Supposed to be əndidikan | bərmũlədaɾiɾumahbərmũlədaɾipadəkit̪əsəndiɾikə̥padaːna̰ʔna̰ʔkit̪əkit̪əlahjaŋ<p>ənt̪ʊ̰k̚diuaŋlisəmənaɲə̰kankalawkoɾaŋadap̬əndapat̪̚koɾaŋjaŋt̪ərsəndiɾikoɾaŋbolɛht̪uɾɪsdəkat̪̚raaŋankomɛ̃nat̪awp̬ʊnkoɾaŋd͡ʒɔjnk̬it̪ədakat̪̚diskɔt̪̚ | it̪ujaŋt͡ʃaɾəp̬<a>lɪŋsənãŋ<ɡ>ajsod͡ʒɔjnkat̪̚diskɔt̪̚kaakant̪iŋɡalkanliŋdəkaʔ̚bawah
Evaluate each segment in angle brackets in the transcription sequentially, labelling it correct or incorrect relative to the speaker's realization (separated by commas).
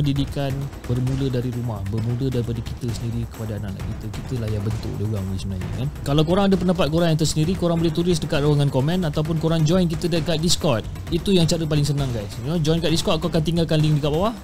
incorrect, correct, correct